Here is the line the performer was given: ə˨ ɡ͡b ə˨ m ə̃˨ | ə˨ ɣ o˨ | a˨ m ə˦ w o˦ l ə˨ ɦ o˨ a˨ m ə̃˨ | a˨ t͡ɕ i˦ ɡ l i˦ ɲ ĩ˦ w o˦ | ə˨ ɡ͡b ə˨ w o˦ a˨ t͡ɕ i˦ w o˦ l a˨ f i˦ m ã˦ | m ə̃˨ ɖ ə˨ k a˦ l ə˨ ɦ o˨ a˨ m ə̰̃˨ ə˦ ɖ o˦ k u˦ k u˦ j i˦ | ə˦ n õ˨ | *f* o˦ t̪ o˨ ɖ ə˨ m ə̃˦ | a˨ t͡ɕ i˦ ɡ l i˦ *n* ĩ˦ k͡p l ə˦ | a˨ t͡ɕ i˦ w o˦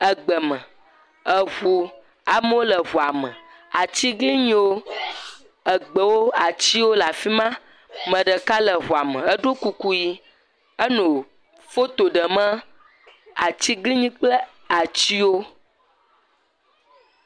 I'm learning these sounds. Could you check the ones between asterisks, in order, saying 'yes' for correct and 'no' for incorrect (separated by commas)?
yes, no